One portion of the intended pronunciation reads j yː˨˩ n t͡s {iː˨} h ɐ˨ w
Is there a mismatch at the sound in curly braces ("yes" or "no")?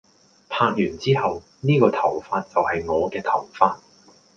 yes